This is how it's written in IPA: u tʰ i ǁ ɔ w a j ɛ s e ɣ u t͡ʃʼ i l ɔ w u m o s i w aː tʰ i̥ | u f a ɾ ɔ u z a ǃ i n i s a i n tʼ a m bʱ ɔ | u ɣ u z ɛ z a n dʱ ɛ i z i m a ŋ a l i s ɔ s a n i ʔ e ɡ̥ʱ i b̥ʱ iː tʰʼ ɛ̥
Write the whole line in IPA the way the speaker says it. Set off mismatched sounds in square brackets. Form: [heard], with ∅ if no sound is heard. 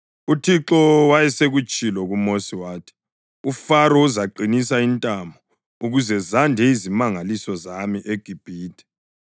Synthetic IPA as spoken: u tʰ i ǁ ɔ w a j ɛ s e ɣ u t͡ʃʼ i l ɔ [ɣ] u m o s i w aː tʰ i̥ | u f a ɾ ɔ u z a ǃ i n i s a i n tʼ a m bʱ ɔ | u ɣ u z ɛ z a n dʱ ɛ i z i m a ŋ a l i s ɔ [z] a [m] i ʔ e ɡ̥ʱ i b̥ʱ iː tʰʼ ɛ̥